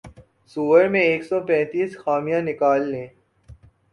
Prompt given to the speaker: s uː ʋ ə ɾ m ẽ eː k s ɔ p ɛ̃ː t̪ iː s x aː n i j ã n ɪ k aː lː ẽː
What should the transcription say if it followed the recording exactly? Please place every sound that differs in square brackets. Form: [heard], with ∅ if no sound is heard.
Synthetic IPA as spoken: s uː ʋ ə ɾ m ẽ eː k s ɔ p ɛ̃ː t̪ iː s x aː [m] i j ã n ɪ k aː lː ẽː